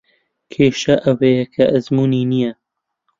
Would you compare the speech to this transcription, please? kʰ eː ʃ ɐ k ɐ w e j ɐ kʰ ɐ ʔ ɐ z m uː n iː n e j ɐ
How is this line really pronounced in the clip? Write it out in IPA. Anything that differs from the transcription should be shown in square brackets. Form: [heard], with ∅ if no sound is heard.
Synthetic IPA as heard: kʰ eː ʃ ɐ [ʔ] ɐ w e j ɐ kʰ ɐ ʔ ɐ z m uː n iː n [i] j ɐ